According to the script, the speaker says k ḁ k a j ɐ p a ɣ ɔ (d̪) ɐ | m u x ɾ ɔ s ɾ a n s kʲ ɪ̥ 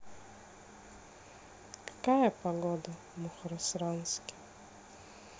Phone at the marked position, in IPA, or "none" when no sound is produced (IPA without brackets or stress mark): d̪